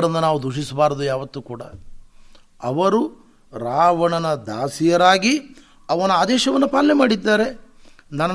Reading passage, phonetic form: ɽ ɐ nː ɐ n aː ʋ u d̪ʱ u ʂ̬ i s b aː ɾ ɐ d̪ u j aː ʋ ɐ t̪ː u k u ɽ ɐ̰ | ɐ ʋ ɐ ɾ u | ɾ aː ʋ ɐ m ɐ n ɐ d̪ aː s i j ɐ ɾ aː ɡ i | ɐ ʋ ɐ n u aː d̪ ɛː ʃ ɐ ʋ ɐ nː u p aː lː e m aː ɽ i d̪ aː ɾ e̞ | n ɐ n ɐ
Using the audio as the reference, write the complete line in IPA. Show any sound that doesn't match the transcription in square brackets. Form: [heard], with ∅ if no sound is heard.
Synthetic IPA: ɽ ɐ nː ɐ n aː ʋ u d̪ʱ u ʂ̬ i s b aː ɾ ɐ d̪ u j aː ʋ ɐ t̪ː u k [uː] ɽ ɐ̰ | ɐ ʋ ɐ ɾ u | ɾ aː ʋ ɐ [ɳ] ɐ n ɐ d̪ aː s i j ɐ ɾ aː ɡ i | ɐ ʋ ɐ n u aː d̪ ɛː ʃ ɐ ʋ ɐ nː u p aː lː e m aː ɽ i [d̪ː] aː ɾ e̞ | n ɐ n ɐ